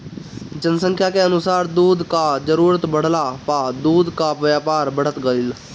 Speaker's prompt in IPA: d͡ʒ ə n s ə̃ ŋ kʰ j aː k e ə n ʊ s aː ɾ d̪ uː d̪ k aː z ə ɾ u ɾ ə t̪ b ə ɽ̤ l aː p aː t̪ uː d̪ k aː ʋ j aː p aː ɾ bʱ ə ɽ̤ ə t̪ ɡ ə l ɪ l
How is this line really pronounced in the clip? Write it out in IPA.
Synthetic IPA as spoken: d͡ʒ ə n s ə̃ ŋ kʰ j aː k e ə n ʊ s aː ɾ d̪ uː d̪ k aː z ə ɾ uː ɾ ə t̪ b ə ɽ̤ l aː p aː d̪ uː d̪ k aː ʋ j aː p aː ɾ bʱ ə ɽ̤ ə t̪ ɡ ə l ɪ l